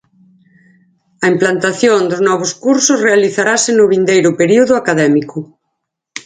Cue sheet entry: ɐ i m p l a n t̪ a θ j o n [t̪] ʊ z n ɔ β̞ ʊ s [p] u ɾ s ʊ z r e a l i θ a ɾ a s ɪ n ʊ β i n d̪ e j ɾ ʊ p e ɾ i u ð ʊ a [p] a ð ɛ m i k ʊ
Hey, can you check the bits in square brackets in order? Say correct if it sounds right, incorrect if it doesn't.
incorrect: d̪, incorrect: k, incorrect: k

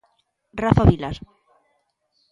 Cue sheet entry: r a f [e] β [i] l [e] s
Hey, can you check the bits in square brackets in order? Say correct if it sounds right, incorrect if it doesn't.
incorrect: a, correct, incorrect: a

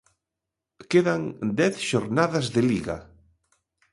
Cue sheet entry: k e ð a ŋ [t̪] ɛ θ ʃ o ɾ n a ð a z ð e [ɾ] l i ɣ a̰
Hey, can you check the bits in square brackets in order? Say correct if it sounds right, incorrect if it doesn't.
incorrect: d̪, incorrect: none

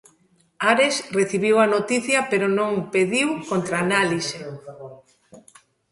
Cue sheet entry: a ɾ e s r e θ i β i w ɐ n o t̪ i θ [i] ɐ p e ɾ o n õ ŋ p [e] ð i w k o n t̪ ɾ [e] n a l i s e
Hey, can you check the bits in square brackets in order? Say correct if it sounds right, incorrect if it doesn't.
incorrect: j, correct, incorrect: a

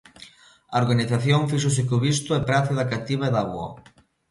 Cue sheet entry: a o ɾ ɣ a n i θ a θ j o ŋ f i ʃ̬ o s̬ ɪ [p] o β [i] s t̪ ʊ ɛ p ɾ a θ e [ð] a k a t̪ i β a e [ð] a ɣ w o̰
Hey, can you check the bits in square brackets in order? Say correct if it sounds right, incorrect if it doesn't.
incorrect: k, correct, correct, correct

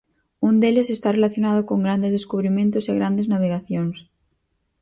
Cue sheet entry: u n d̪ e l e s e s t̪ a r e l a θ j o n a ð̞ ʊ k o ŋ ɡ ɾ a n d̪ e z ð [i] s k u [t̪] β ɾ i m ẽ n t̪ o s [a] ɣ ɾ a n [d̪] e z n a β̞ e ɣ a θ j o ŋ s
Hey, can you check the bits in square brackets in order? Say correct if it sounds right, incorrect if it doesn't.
incorrect: e, incorrect: none, incorrect: e, correct

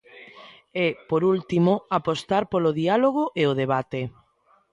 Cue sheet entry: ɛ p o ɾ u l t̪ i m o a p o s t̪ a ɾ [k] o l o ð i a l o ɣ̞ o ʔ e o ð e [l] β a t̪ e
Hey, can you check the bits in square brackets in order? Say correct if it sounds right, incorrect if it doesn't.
incorrect: p, incorrect: none

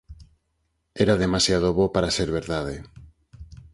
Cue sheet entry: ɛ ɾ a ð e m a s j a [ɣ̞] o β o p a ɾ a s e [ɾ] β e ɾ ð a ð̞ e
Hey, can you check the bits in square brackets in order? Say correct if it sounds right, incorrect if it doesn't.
incorrect: ð̞, correct

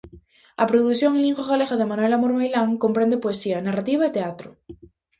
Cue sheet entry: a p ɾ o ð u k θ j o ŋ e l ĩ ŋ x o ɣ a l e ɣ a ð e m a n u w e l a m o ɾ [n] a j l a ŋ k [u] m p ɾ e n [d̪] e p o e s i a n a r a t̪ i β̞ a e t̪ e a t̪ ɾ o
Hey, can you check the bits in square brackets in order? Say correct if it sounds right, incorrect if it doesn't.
incorrect: m, incorrect: o, correct

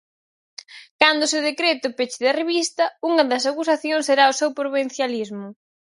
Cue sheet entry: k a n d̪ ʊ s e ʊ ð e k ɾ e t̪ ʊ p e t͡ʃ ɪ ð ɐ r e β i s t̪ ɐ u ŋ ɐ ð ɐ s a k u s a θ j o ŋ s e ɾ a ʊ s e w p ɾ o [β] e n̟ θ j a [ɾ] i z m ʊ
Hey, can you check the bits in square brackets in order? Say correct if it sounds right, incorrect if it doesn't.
correct, incorrect: l

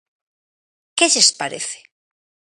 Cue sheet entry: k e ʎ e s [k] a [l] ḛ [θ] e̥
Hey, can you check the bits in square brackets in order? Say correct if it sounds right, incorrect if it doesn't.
incorrect: p, incorrect: ɾ, correct

